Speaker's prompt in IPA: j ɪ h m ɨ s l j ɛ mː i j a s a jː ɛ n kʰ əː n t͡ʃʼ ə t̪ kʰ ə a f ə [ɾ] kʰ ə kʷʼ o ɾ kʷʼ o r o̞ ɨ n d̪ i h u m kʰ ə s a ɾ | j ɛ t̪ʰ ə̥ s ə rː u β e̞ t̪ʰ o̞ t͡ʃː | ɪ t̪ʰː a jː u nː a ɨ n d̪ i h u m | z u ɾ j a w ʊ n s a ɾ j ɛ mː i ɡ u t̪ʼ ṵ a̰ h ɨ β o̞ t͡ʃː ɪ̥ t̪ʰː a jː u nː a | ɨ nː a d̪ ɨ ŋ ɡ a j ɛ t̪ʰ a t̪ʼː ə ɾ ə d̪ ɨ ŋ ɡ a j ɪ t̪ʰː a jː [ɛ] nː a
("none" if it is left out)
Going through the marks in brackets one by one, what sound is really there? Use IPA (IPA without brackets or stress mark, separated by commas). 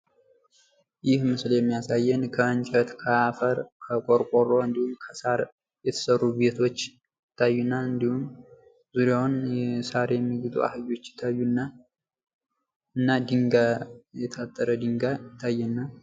ɾ, ɛ